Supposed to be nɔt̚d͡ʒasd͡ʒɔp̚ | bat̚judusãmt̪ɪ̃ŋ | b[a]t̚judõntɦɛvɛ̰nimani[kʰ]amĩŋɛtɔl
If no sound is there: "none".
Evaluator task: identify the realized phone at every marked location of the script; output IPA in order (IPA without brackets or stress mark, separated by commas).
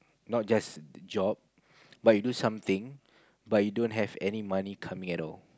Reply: a, kʰ